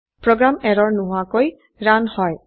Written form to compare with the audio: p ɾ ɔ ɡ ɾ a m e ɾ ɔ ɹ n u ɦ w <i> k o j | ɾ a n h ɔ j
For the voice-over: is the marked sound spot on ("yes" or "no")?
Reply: no